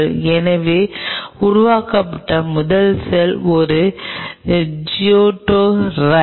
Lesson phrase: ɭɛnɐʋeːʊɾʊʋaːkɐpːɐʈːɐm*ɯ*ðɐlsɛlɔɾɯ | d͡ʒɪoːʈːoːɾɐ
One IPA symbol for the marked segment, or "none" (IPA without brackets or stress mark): ʊ